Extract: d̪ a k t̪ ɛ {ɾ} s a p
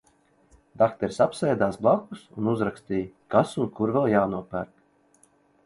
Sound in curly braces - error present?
no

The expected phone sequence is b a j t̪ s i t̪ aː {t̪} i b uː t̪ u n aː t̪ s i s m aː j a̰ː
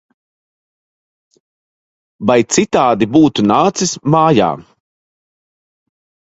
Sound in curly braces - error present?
yes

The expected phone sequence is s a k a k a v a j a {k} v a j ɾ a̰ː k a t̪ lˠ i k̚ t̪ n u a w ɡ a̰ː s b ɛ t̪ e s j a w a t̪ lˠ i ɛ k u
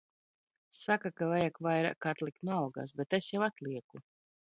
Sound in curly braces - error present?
no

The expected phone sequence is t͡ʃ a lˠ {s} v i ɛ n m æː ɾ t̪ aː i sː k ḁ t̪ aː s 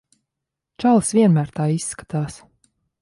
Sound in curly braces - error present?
no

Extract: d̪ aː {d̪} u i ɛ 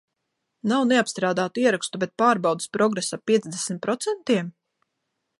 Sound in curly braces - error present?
yes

